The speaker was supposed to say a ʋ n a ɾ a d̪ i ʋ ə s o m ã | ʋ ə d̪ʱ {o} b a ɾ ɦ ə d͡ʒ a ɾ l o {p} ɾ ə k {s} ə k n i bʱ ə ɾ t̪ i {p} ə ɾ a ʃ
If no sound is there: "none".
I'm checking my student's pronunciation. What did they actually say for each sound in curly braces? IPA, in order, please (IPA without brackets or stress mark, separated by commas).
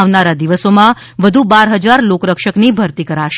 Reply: u, k, ʃ, k